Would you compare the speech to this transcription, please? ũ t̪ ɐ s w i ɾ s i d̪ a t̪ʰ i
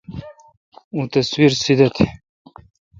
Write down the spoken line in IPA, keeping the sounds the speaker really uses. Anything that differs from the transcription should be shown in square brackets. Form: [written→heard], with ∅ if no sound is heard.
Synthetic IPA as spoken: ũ t̪ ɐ s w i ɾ s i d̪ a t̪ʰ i